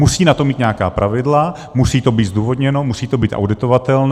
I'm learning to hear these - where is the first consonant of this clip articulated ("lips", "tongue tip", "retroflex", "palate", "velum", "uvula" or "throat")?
tongue tip